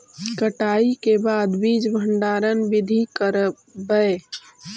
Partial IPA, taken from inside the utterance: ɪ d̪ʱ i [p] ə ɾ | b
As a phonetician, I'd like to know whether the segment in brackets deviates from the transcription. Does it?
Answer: yes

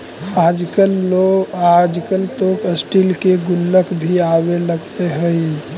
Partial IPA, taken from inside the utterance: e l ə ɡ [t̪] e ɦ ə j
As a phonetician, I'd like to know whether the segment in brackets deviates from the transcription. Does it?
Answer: no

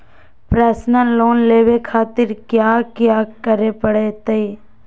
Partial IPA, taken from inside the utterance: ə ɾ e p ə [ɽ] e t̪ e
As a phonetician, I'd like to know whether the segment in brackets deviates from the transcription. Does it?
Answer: no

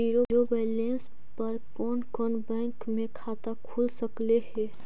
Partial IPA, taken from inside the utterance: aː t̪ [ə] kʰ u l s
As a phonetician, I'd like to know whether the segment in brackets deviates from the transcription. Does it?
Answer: yes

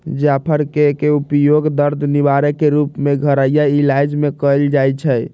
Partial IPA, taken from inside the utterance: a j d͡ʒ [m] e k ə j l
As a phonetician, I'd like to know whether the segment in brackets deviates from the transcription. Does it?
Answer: no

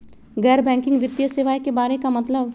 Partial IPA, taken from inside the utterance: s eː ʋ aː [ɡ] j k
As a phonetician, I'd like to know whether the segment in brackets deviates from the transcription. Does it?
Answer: yes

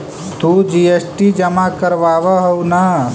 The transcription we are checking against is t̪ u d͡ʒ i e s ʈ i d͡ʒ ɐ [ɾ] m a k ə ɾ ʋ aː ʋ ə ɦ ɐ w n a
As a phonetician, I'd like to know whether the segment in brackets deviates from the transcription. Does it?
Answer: yes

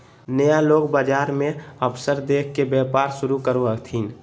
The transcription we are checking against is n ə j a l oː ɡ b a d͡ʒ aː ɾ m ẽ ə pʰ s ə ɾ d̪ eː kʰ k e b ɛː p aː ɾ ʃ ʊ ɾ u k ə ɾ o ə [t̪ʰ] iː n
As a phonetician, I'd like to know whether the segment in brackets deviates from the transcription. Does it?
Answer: no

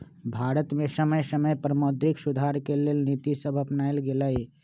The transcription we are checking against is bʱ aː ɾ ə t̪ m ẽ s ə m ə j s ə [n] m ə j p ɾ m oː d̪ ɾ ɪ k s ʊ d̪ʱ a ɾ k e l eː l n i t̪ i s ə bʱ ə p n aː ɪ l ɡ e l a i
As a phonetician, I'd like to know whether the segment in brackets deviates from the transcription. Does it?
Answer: yes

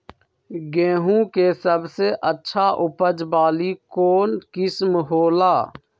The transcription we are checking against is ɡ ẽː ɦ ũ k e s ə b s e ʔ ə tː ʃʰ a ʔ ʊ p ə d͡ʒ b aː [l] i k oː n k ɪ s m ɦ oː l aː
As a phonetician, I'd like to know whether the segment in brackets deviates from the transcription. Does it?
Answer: no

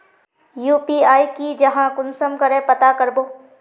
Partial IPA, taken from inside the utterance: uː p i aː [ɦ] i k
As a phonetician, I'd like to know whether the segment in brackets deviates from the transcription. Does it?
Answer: yes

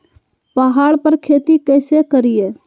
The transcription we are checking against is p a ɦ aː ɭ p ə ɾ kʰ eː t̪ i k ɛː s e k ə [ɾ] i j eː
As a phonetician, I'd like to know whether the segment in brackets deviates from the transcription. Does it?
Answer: no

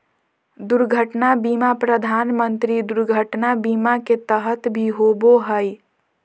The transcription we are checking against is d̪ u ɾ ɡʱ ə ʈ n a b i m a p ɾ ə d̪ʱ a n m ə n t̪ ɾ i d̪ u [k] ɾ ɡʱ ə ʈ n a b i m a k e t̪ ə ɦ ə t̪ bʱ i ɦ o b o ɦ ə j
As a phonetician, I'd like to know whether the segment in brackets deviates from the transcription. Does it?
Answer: yes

